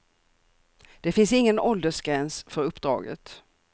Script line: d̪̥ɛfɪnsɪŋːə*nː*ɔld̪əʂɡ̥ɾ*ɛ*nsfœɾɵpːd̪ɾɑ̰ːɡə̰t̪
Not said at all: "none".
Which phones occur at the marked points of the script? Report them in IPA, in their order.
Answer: n, ɛ

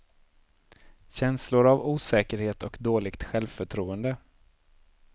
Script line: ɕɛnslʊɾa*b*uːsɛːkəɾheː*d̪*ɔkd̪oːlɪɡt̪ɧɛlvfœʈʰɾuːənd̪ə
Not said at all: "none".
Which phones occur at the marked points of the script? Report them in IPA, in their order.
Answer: v, t̪

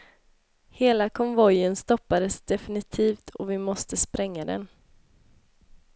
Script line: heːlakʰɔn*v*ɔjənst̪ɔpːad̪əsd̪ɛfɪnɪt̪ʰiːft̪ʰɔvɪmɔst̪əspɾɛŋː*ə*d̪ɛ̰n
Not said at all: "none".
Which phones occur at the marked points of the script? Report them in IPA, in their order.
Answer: v, a

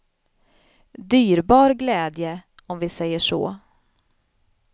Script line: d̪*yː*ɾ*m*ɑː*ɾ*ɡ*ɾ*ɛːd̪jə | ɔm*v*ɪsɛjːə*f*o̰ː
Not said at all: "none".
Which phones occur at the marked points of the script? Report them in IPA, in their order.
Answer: yː, b, ɾ, l, v, ʂ

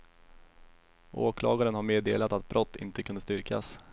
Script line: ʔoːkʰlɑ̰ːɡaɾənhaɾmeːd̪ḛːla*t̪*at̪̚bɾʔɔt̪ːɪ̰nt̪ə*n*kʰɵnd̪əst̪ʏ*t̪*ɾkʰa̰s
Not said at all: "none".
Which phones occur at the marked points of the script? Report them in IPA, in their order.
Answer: t̪, none, none

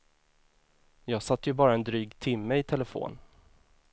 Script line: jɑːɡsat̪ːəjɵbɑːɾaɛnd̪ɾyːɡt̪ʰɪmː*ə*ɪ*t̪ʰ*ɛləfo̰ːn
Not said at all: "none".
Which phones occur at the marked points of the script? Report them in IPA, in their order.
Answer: ə, t̪ʰ

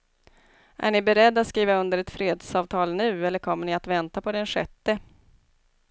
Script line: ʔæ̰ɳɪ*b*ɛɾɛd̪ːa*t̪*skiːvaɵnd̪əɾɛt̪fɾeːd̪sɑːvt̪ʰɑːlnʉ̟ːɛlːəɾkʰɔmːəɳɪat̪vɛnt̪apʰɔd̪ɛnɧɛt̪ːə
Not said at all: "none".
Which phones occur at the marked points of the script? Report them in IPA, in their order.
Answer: b, t̪

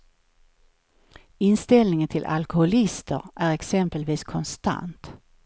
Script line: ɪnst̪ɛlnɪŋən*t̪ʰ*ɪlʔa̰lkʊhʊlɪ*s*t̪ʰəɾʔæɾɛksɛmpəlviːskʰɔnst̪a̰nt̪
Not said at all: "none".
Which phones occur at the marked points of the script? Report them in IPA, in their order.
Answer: t̪ʰ, s

